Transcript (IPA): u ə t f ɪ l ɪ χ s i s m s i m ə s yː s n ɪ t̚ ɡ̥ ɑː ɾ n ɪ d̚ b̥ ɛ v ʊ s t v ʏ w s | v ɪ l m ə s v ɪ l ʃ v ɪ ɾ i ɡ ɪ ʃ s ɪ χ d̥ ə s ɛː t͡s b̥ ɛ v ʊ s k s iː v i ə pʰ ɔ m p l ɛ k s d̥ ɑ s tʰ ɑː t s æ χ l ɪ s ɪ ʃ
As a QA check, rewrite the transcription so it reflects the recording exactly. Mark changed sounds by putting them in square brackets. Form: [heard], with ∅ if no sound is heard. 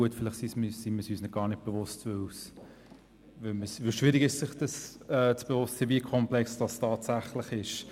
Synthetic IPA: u ə t f ɪ l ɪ χ s i s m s i m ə s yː s n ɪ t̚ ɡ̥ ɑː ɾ n ɪ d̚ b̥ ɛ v ʊ s t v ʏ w s | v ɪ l m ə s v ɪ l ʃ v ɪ ɾ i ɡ ɪ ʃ s ɪ χ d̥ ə s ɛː t͡s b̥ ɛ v ʊ s [t] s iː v i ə [kʰ] ɔ m p l ɛ k s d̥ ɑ s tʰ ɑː t s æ χ l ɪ [χ] ɪ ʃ

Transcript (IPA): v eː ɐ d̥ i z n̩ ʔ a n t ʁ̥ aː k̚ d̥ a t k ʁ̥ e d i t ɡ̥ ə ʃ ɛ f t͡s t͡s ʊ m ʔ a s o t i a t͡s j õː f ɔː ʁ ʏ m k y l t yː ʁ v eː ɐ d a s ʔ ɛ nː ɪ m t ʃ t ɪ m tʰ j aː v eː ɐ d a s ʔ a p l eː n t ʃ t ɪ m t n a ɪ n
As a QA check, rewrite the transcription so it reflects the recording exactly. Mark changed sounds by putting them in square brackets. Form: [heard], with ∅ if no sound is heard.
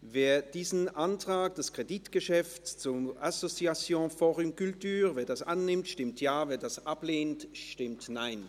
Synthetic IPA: v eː ɐ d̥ [iː] z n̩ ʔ a n t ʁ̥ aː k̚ d̥ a [s] k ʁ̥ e d i t ɡ̥ ə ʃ ɛ f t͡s t͡s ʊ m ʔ a s o [t͡s] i a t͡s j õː f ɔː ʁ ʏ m k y l t yː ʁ v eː ɐ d a s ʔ [a] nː ɪ m t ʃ t ɪ m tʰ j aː v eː ɐ d a s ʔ a p l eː n t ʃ t ɪ m t n a ɪ n

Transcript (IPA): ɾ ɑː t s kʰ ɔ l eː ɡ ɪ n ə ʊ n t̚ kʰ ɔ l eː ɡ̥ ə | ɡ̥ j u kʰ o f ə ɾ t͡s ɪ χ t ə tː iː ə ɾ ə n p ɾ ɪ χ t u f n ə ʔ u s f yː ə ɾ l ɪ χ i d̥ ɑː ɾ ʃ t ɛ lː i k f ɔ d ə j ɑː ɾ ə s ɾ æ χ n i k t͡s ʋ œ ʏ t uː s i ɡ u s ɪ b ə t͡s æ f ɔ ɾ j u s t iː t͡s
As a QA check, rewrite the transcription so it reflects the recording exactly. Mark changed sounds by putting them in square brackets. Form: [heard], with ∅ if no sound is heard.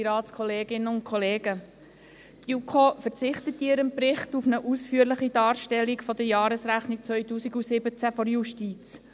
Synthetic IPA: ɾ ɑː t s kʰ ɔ l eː ɡ ɪ n ə ʊ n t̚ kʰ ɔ l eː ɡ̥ ə | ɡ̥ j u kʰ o f ə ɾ t͡s ɪ χ t ə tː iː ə ɾ ə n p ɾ ɪ χ t u f n ə ʔ u s f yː ə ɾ l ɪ χ i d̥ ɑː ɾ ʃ t ɛ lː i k f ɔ d ə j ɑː ɾ ə s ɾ æ χ n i k t͡s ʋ œ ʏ t uː s i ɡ u s ɪ b ə t͡s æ f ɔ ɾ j u [ʃ] t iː t͡s

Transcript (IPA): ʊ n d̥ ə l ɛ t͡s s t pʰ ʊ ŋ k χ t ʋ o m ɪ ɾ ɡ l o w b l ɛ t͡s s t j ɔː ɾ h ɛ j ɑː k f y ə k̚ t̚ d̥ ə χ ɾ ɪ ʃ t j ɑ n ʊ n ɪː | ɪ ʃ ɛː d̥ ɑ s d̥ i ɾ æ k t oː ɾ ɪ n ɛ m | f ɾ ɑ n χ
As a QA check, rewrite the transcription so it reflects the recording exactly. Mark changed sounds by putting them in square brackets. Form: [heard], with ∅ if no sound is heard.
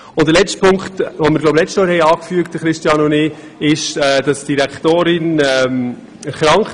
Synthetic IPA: ʊ n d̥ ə l ɛ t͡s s t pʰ ʊ ŋ k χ t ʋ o m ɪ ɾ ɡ l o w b l ɛ t͡s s t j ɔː ɾ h ɛ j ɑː k f y ə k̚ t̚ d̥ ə χ ɾ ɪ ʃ t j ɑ n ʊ n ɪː | ɪ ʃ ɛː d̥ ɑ s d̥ i ɾ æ k t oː ɾ ɪ n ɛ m | [χ] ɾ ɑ [ŋ] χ

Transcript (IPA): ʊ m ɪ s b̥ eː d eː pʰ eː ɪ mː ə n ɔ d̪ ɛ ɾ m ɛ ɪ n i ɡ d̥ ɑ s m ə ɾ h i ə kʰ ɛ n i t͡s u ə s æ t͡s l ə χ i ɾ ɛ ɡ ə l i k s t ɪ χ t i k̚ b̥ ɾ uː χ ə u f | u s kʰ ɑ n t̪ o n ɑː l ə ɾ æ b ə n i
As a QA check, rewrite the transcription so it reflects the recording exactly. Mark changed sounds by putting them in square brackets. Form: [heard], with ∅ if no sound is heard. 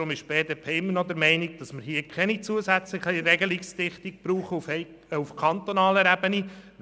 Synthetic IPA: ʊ m ɪ [ʃ] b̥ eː d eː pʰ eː ɪ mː ə n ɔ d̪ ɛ ɾ m ɛ ɪ n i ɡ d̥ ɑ s m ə ɾ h i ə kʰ ɛ n i t͡s u ə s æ t͡s l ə χ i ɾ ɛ ɡ ə l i k s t ɪ χ t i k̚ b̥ ɾ uː χ ə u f | u [f] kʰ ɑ n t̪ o n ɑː l ə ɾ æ b ə n i

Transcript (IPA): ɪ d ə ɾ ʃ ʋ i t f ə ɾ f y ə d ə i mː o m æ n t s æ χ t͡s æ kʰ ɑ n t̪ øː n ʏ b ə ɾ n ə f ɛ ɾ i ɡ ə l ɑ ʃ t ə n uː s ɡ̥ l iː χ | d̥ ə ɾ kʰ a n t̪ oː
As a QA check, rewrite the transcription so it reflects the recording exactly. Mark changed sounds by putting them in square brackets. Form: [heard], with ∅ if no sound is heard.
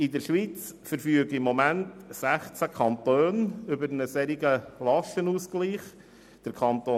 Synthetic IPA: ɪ d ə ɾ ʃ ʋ i [t͡s] f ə ɾ f y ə [ɡ] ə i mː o m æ n t s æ χ t͡s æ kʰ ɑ n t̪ øː n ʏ b ə ɾ n ə [s] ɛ ɾ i ɡ ə l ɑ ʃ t ə n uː s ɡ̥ l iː χ | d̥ ə ɾ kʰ [ɑ] n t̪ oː

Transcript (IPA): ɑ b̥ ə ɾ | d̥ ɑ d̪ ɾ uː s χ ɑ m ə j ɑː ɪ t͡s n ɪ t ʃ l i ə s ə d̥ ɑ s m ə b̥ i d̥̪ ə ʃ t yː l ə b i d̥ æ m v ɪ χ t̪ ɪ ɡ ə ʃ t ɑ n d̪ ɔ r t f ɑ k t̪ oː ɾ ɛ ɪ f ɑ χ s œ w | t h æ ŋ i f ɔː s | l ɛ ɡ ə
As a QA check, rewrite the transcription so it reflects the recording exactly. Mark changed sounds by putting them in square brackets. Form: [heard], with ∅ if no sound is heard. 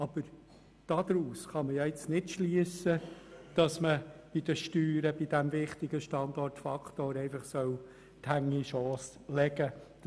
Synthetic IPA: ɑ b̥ ə ɾ | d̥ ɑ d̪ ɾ uː s χ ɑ m ə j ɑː ɪ t͡s n ɪ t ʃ l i ə s ə d̥ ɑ s m ə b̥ i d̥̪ ə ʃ t yː [ɾ] ə b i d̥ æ m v ɪ χ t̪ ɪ ɡ ə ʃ t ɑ n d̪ ɔ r t f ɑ k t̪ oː ɾ ɛ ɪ f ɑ χ s œ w | t h æ ŋ i [ʃ] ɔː s | l ɛ ɡ ə

